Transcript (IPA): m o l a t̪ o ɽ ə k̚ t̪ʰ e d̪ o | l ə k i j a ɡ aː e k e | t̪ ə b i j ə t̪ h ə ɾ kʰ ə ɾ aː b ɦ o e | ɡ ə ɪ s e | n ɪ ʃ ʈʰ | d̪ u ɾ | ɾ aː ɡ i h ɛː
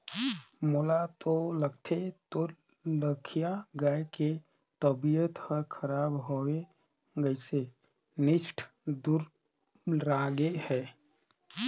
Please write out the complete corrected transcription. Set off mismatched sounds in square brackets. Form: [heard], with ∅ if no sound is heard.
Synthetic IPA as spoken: m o l a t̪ o [l] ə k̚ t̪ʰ e [t̪] o | l ə [kʰ] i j a ɡ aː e k e | t̪ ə b i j ə t̪ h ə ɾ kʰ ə ɾ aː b ɦ o e | ɡ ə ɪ s e | n ɪ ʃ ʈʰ | d̪ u ɾ | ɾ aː ɡ [e] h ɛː